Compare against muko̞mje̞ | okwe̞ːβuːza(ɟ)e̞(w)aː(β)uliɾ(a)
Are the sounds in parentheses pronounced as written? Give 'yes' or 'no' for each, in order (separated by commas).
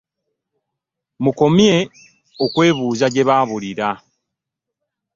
yes, no, yes, yes